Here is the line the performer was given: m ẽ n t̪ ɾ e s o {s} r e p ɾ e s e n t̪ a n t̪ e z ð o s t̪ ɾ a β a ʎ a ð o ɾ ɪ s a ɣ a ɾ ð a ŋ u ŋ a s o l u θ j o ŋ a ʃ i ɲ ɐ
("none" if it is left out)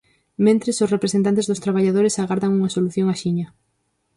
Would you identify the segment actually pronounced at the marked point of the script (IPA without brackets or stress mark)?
s